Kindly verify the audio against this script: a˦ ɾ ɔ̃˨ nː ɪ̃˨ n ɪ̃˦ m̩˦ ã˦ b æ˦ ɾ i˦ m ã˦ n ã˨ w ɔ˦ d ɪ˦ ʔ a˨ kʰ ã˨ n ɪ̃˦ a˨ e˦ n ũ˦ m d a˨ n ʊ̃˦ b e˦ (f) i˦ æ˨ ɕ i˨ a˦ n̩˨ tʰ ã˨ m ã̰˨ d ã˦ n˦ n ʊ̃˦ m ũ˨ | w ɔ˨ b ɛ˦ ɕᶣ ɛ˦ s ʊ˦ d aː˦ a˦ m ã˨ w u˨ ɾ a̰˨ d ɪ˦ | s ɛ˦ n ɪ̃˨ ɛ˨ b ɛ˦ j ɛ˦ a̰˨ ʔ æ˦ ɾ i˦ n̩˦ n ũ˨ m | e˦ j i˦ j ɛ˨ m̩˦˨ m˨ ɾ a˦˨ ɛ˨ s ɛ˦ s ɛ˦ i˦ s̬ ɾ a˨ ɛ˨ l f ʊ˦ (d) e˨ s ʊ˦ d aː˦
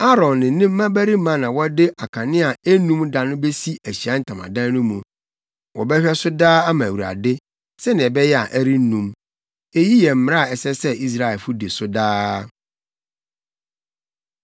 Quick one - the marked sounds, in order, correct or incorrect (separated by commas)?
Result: incorrect, correct